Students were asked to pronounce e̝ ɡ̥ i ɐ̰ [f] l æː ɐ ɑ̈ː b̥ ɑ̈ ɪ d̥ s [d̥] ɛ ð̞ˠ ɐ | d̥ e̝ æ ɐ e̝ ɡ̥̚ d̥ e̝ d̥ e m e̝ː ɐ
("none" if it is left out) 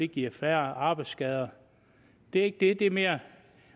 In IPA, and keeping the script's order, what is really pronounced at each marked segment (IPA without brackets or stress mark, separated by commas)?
f, ɡ̥